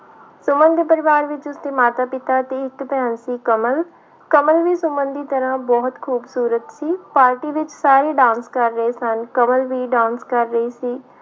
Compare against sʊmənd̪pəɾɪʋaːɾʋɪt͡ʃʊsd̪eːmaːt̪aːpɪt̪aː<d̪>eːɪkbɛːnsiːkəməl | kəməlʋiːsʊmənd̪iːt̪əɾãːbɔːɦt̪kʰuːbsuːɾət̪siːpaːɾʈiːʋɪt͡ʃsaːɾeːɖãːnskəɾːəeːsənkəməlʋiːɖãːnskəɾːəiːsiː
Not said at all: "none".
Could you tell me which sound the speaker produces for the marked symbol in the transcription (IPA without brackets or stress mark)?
t̪